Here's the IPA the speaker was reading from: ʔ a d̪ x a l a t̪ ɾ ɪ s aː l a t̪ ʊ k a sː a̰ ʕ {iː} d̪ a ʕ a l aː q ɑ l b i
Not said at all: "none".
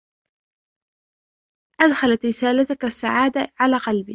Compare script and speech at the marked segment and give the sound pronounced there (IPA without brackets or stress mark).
aː